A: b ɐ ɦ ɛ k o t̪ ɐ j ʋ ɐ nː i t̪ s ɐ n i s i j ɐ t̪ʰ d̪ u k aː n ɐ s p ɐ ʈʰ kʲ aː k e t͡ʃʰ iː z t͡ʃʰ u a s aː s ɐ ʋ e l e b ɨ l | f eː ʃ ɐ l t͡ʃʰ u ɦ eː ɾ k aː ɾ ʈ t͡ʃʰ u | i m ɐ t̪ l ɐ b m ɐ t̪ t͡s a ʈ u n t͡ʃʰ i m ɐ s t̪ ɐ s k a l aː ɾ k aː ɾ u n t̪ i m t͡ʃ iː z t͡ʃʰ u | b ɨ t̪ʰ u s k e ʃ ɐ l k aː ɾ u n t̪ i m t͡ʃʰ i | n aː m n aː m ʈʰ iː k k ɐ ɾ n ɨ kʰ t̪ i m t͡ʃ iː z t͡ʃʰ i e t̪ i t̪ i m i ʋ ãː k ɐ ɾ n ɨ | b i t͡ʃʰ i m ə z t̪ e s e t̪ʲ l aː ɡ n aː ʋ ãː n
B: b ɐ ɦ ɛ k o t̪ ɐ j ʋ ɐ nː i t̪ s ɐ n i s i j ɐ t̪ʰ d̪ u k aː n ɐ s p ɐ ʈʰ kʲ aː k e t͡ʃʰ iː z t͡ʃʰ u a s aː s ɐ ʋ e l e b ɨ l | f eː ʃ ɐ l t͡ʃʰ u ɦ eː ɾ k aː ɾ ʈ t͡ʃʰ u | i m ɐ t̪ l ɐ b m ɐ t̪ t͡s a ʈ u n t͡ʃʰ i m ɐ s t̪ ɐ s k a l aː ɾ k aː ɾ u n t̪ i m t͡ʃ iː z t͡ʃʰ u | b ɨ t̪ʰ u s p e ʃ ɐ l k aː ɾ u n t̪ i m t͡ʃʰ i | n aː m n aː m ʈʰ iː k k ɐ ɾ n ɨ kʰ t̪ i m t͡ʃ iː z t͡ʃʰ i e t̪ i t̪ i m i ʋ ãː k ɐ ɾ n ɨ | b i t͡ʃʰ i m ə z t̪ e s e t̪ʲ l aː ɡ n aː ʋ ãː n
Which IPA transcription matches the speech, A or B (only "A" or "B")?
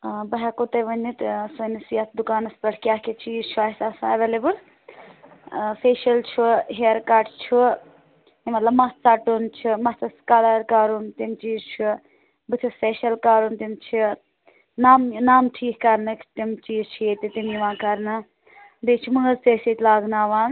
B